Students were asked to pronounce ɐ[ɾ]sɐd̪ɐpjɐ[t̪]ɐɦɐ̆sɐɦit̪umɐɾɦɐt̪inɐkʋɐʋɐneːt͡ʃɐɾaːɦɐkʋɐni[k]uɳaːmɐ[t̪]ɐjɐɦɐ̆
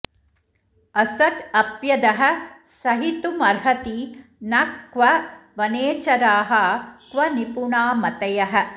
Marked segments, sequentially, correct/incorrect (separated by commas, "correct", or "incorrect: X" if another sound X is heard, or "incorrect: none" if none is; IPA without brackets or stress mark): incorrect: none, incorrect: d̪, incorrect: p, correct